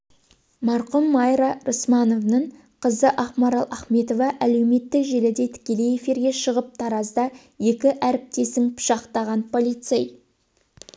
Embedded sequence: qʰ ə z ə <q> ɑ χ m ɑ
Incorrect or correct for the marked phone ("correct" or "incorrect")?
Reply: incorrect